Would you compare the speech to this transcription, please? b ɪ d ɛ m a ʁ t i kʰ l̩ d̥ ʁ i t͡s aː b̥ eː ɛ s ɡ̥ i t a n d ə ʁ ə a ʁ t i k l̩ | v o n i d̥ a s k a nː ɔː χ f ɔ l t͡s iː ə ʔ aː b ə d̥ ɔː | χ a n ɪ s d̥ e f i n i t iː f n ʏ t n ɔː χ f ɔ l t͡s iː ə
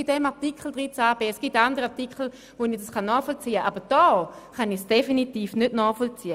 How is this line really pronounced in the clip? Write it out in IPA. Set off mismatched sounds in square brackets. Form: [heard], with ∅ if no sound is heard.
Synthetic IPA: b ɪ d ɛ m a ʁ t i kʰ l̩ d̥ ʁ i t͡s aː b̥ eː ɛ s ɡ̥ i t a n d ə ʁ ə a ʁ t i k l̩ | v o n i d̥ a s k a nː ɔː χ f ɔ l t͡s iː ə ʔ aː b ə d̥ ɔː | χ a n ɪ s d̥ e f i n i t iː f n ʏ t n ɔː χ f ɔ l t͡s iː ə